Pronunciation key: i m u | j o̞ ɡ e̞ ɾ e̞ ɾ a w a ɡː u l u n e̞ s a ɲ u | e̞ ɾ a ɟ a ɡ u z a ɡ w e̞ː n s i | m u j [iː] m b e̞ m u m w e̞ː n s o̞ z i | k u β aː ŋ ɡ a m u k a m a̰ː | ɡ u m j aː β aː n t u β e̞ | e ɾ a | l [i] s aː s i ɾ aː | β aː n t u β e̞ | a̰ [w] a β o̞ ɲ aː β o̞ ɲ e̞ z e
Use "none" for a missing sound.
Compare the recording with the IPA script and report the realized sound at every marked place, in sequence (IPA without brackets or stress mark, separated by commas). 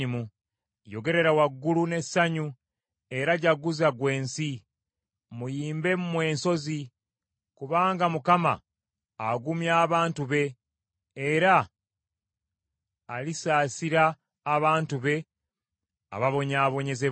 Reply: iː, i, β